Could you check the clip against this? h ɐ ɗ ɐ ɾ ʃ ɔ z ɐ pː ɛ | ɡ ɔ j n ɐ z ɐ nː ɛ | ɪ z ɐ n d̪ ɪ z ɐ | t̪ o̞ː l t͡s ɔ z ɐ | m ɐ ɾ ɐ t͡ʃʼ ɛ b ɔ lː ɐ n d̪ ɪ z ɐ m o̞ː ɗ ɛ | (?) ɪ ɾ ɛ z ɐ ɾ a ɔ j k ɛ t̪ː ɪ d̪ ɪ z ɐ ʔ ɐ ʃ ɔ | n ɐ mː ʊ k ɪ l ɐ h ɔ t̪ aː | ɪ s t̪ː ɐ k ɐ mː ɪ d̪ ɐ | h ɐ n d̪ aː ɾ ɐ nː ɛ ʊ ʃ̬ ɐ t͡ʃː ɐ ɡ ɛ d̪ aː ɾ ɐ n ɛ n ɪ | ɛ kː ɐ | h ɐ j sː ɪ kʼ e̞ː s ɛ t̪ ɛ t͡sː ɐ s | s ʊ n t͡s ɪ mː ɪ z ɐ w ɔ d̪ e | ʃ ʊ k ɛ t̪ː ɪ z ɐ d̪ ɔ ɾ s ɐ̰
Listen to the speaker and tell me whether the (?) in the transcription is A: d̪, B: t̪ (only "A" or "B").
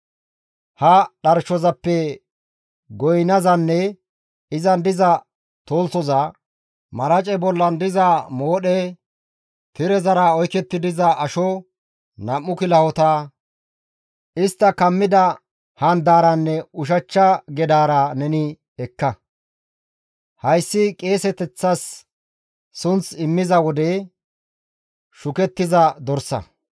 B